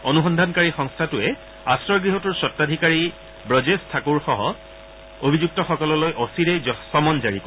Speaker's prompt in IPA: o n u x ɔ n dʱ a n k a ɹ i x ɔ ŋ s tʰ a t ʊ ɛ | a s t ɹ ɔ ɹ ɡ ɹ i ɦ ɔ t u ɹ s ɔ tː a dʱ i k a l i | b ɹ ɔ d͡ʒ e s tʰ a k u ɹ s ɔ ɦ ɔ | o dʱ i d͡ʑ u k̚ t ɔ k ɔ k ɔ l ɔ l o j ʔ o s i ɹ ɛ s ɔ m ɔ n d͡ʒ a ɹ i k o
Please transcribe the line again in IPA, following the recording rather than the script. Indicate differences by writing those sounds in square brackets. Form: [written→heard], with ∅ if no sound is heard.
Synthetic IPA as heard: o n u x ɔ n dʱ a n k a ɹ i x ɔ ŋ s tʰ a t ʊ ɛ | a s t ɹ ɔ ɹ ɡ ɹ i ɦ ɔ t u ɹ s ɔ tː a dʱ i k a [l→ɹ] i | b ɹ ɔ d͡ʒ e s tʰ a k u ɹ [s→x] ɔ ɦ ɔ | o [dʱ→bʱ] i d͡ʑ u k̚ t ɔ [k→x] ɔ k ɔ l ɔ l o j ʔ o s i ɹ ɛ s ɔ m ɔ n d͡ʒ a ɹ i k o

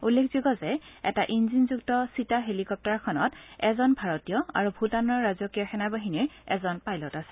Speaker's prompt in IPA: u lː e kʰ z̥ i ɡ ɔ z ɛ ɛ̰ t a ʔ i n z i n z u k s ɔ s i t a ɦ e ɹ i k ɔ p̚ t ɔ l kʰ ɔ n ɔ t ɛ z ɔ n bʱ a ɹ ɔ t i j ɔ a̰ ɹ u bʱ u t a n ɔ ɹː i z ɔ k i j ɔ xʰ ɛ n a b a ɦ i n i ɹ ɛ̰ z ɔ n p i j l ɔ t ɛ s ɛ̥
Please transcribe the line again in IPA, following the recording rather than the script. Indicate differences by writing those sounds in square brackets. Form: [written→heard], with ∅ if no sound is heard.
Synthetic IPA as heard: u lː e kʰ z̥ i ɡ ɔ z ɛ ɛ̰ t a ʔ i n z i n z u k [s→t] ɔ s i t a ɦ e [ɹ→l] i k ɔ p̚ t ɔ [l→ɹ] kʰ ɔ n ɔ t ɛ z ɔ n bʱ a ɹ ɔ t i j ɔ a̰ ɹ u bʱ u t a n ɔ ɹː [i→a] z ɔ k i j ɔ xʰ ɛ n a b a ɦ i n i ɹ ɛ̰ z ɔ n p [i→a] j l ɔ t [ɛ→a] s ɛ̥

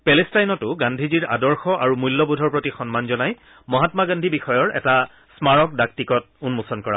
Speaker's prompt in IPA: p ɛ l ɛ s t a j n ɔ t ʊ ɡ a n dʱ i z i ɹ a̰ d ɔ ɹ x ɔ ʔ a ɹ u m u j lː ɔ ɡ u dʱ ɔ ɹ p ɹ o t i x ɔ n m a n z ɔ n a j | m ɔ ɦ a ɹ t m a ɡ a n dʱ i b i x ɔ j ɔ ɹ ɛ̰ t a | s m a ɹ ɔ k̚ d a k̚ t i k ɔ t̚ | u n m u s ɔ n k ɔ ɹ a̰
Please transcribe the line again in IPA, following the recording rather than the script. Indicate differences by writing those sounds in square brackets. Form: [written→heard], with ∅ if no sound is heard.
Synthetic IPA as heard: p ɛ l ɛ s t a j n ɔ t ʊ ɡ a n dʱ i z i ɹ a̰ d ɔ ɹ x ɔ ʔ a ɹ u m u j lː ɔ [ɡ→b] u dʱ ɔ ɹ p ɹ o t i x ɔ n m a n z ɔ n a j | m ɔ ɦ a [ɹ→∅] t m a ɡ a n dʱ i b i x ɔ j ɔ ɹ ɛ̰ t a | s m a ɹ ɔ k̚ d a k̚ t i k ɔ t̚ | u n m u s ɔ n k ɔ ɹ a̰

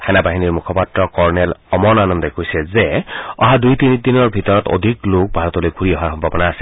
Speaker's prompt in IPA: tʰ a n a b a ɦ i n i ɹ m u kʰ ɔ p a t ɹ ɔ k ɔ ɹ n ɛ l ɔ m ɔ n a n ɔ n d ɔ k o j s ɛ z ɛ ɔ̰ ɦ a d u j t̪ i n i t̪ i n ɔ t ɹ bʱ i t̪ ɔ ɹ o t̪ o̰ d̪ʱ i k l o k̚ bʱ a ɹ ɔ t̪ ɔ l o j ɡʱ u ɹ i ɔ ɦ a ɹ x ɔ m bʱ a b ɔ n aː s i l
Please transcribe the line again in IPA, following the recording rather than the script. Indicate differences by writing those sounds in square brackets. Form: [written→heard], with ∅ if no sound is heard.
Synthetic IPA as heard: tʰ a n a b a ɦ i n i ɹ m u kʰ ɔ p a t ɹ ɔ k ɔ ɹ n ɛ l ɔ m ɔ n a n ɔ n d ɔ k o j s ɛ z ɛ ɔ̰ ɦ a d u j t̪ i n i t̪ i n ɔ [t→∅] ɹ bʱ i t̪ ɔ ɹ [o→ɔ] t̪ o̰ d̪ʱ i k l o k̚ bʱ a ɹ ɔ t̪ ɔ l o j ɡʱ u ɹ i ɔ ɦ a ɹ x ɔ m bʱ a b ɔ n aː s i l

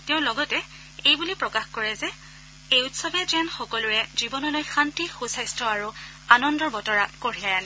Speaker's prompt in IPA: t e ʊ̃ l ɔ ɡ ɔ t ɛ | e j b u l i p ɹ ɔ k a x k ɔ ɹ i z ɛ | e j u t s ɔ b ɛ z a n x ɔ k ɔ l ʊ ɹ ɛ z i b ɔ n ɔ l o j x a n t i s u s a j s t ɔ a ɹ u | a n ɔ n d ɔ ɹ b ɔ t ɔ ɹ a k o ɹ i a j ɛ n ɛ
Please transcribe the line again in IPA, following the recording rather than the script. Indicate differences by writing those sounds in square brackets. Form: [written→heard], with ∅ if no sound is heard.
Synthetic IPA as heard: t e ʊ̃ l ɔ ɡ ɔ t ɛ | e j b u l i p ɹ ɔ k a x k ɔ ɹ [i→ɛ] z ɛ | e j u t s ɔ b ɛ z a n x ɔ k ɔ l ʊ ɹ ɛ z i b ɔ n ɔ l o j x a n t i [s→x] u s a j s t ɔ a ɹ u | a n ɔ n d ɔ ɹ b ɔ t ɔ ɹ a k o ɹ i a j [ɛ→a] n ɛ

